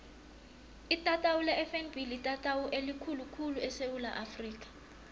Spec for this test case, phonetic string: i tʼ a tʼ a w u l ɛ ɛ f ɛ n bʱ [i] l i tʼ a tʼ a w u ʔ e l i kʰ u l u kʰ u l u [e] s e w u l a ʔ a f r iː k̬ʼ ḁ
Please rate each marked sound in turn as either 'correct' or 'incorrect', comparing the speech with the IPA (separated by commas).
correct, incorrect